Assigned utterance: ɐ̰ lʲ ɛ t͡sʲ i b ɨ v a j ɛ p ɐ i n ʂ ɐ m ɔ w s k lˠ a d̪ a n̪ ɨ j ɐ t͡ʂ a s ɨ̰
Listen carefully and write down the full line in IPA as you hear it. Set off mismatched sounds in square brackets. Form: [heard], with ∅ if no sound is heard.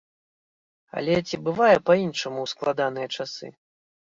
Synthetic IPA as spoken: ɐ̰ lʲ ɛ t͡sʲ i b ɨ v a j ɛ p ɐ i n ʂ ɐ m [u] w s k lˠ a d̪ a n̪ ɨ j ɐ t͡ʂ a s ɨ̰

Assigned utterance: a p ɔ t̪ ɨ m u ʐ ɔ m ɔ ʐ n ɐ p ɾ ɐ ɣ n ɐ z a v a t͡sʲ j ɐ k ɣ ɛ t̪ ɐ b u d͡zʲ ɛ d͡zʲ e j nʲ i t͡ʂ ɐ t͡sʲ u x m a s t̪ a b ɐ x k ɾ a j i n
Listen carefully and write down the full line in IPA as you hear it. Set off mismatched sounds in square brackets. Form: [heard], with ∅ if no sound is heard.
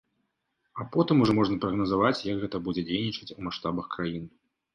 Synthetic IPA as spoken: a p ɔ t̪ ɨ m u ʐ ɔ m ɔ ʐ n ɐ p ɾ ɐ ɣ n ɐ z a v a t͡sʲ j ɐ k ɣ ɛ t̪ ɐ b u d͡zʲ ɛ d͡zʲ e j nʲ i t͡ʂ ɐ t͡sʲ u [∅] m a [ʂ] t̪ a b ɐ x k ɾ a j i n

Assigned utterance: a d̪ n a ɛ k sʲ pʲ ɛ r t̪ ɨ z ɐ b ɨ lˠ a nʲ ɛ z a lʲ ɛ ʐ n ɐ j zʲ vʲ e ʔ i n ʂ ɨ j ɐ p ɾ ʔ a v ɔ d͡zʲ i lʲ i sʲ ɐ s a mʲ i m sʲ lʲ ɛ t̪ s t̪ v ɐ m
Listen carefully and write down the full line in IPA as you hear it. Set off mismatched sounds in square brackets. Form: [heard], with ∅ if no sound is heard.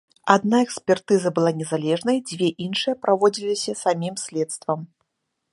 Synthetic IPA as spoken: a d̪ n a ɛ k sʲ pʲ ɛ r t̪ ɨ z ɐ b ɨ lˠ a nʲ ɛ z a lʲ ɛ ʐ n ɐ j [d͡zʲ] vʲ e ʔ i n ʂ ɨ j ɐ p ɾ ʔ a v ɔ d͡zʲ i lʲ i sʲ ɐ s a mʲ i m sʲ lʲ ɛ t̪ s t̪ v ɐ m

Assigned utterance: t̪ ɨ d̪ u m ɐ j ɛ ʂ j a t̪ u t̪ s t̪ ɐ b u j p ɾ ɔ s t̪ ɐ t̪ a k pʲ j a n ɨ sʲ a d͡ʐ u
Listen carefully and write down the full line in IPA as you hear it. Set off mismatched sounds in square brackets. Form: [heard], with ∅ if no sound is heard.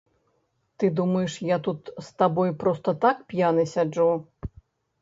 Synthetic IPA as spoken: t̪ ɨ d̪ u m ɐ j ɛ ʂ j a t̪ u t̪ s t̪ [a] b [ɔ] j p ɾ ɔ s t̪ ɐ t̪ a k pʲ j a n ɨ sʲ a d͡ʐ u

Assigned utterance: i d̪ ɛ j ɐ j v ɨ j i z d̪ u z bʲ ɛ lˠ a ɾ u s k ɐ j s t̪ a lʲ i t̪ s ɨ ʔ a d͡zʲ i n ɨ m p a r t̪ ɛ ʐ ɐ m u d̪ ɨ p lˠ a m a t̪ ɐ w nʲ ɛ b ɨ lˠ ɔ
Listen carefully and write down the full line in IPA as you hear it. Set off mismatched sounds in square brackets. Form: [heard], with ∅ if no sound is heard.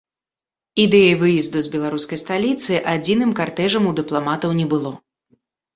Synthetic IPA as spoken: i d̪ ɛ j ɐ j v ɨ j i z d̪ u z bʲ ɛ lˠ a ɾ u s k ɐ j s t̪ a lʲ i t̪ s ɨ ʔ a d͡zʲ i n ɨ m [k] a r t̪ ɛ ʐ ɐ m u d̪ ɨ p lˠ a m a t̪ ɐ w nʲ ɛ b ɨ lˠ ɔ

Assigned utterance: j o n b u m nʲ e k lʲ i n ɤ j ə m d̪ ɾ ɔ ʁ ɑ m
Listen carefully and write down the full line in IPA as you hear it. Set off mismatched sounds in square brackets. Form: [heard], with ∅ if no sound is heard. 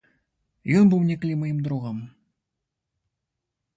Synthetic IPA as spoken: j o n b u m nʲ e k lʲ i [m] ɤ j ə m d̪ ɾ [u] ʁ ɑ m

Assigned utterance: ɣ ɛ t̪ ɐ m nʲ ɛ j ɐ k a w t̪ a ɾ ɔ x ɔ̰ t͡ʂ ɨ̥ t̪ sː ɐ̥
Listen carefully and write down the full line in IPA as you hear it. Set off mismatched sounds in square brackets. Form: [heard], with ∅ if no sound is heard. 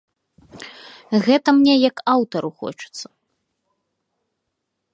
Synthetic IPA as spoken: ɣ ɛ t̪ ɐ m nʲ ɛ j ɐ k a w t̪ [ɐ] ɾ [u] x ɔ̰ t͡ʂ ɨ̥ t̪ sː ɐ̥

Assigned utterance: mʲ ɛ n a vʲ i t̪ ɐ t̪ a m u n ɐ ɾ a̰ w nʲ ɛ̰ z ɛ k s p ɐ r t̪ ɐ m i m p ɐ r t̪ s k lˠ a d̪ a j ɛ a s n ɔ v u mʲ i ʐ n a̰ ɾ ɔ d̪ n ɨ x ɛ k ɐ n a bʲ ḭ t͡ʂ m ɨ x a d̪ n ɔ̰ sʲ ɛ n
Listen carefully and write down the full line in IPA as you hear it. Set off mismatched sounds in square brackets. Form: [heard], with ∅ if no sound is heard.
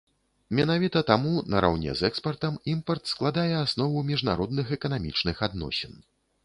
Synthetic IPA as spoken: mʲ ɛ n a vʲ i t̪ ɐ t̪ a m u n ɐ ɾ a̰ w nʲ ɛ̰ z ɛ k s p ɐ r t̪ ɐ m i m p ɐ r t̪ s k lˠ a d̪ a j ɛ a s n ɔ v u mʲ i ʐ n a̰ ɾ ɔ d̪ n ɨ x ɛ k ɐ n a [mʲ] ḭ t͡ʂ [n] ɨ x a d̪ n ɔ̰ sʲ ɛ n

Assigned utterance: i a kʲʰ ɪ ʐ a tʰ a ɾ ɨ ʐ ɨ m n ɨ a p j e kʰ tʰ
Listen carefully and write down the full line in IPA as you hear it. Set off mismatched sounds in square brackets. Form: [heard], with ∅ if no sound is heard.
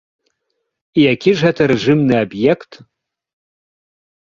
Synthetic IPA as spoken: i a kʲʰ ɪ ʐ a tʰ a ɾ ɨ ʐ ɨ m n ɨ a [b] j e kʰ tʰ

